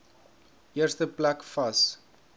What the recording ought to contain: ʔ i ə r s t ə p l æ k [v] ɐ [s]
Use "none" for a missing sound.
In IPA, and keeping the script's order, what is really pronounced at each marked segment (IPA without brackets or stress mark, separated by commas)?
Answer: f, s